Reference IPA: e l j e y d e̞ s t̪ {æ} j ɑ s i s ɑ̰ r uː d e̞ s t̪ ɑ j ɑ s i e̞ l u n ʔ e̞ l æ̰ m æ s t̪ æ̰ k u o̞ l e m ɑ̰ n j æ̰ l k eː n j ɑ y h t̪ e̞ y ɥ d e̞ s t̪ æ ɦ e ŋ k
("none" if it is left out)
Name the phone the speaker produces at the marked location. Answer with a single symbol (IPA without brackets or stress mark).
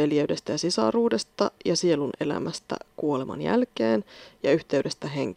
æ